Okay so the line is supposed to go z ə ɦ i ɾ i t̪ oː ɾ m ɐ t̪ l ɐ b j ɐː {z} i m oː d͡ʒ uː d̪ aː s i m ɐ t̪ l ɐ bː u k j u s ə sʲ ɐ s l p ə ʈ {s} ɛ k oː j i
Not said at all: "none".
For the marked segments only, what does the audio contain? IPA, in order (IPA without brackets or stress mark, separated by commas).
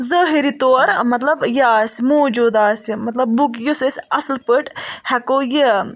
s, h